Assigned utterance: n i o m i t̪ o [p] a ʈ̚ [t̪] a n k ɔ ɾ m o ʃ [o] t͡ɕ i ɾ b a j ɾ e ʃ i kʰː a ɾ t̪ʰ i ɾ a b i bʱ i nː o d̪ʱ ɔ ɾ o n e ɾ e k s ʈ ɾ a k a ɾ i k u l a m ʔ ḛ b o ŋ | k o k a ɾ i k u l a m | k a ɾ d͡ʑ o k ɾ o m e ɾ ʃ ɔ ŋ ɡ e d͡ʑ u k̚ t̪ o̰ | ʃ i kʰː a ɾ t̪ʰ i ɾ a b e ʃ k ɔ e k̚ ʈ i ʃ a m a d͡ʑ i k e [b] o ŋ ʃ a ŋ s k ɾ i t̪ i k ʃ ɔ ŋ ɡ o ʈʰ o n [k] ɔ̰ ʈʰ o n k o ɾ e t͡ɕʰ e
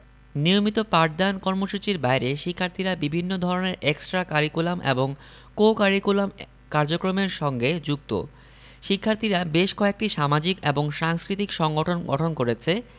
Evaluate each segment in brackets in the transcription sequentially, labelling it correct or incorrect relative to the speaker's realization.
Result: correct, incorrect: d̪, incorrect: u, correct, incorrect: ɡ

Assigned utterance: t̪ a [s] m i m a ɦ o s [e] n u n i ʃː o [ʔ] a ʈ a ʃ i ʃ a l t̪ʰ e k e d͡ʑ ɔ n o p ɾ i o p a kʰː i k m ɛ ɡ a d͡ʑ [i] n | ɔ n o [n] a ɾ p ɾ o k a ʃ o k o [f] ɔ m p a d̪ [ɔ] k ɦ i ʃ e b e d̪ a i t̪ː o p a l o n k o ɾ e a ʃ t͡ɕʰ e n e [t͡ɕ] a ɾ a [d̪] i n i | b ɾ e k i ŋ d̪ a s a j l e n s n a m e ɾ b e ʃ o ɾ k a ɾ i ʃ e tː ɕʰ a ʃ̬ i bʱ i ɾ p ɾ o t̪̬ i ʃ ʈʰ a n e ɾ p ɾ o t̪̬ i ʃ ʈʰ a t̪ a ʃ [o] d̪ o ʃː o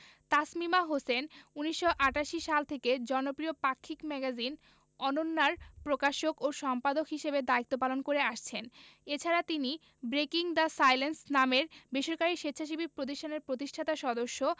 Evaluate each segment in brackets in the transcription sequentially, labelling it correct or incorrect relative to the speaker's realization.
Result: correct, correct, correct, correct, incorrect: nː, incorrect: ʃ, incorrect: o, incorrect: t͡ɕʰ, incorrect: t̪, incorrect: ɔ

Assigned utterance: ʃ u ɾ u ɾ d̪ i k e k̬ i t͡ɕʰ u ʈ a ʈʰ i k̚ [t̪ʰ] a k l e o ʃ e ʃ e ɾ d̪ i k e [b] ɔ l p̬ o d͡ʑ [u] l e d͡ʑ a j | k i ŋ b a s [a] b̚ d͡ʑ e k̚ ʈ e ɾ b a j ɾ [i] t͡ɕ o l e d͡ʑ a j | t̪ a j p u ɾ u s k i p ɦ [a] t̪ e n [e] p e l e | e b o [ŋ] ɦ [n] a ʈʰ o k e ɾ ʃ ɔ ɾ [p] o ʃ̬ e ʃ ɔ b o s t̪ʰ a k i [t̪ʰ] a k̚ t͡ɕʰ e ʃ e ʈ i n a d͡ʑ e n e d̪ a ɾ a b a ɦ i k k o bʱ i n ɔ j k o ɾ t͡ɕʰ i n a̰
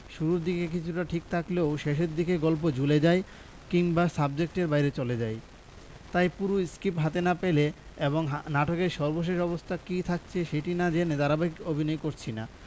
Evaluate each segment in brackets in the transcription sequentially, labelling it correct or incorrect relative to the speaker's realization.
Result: correct, incorrect: ɡ, correct, correct, incorrect: e, correct, incorrect: a, correct, correct, incorrect: b, correct

